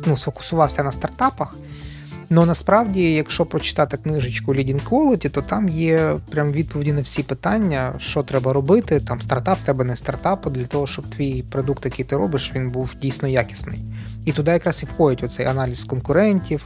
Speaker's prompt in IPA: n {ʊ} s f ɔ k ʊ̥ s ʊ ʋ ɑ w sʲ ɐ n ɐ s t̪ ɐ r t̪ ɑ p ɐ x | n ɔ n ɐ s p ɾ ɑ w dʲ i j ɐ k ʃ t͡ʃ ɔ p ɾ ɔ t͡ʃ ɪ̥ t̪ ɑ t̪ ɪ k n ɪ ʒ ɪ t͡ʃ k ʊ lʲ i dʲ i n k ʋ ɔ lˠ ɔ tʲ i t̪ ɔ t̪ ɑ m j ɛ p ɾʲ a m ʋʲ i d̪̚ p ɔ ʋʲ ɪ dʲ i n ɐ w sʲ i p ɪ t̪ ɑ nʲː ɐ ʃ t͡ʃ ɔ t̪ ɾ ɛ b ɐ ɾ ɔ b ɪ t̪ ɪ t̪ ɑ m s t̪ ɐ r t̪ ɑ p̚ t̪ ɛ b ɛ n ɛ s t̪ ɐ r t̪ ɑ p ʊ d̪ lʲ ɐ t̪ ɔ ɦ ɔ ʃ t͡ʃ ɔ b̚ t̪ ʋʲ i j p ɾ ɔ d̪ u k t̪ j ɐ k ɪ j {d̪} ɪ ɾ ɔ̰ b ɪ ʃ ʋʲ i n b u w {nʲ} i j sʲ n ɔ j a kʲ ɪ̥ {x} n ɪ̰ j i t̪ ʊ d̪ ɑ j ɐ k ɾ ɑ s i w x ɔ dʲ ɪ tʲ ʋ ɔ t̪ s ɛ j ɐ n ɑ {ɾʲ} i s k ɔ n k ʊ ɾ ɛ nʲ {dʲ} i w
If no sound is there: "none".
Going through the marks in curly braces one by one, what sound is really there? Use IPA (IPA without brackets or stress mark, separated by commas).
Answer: u, t̪, dʲ, s, lʲ, tʲ